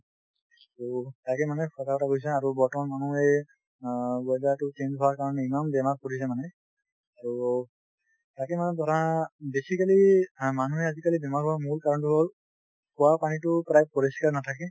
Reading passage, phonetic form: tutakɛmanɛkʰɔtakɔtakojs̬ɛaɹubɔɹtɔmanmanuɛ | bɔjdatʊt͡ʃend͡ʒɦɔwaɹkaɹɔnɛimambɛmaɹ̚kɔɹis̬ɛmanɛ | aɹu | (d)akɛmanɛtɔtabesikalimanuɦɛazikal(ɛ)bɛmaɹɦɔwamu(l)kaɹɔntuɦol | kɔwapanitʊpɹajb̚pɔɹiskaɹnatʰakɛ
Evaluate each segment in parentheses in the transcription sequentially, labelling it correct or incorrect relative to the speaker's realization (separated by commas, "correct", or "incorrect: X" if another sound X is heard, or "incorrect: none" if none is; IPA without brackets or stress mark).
incorrect: t, incorrect: i, incorrect: ɹ